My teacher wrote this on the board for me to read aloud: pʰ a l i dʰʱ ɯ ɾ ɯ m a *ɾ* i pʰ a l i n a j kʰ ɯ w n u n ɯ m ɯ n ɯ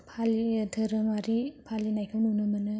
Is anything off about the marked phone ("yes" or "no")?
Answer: no